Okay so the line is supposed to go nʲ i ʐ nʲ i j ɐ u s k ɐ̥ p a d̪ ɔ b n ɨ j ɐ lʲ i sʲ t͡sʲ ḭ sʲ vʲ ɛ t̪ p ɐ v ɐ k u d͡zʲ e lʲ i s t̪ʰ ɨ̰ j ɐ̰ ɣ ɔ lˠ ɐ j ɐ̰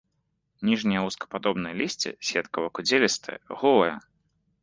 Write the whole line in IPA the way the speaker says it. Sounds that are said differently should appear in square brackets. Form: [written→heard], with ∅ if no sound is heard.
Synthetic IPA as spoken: nʲ i ʐ nʲ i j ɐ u s k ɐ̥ p a d̪ ɔ b n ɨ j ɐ lʲ i sʲ t͡sʲ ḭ sʲ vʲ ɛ t̪ [p→k] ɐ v ɐ k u d͡zʲ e lʲ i s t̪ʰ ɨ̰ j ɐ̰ ɣ ɔ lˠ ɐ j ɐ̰

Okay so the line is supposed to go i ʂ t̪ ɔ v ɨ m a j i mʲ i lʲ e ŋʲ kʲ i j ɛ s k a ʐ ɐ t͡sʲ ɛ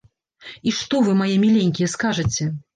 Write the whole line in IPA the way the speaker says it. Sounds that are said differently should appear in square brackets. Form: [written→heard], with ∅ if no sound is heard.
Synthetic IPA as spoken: i ʂ t̪ ɔ v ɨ m a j [i→ɛ] mʲ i lʲ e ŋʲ kʲ i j ɛ s k a ʐ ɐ t͡sʲ ɛ

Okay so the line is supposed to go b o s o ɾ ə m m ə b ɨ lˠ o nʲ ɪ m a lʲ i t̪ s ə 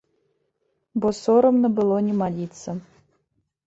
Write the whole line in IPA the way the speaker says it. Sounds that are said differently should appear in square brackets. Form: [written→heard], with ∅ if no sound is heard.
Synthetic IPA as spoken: b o s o ɾ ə m [m→n] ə b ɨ lˠ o nʲ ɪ m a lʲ i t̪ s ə

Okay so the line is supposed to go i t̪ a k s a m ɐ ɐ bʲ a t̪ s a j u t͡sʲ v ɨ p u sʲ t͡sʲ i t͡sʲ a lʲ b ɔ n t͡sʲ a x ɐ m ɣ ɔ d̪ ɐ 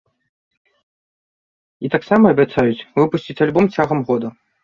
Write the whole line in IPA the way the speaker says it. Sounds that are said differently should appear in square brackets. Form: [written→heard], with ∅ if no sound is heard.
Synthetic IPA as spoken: i t̪ a k s a m ɐ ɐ bʲ a t̪ s a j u t͡sʲ v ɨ p u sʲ t͡sʲ i t͡sʲ a lʲ b ɔ [n→m] t͡sʲ a [x→ɣ] ɐ m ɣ ɔ d̪ ɐ

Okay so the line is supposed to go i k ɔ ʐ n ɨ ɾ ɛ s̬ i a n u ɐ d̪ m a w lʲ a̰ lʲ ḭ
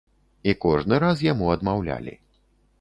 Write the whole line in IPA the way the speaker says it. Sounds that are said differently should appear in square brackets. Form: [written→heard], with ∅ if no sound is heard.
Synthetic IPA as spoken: i k ɔ ʐ n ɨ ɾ [ɛ→a] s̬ [i→j] a [n→m] u ɐ d̪ m a w lʲ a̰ lʲ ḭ

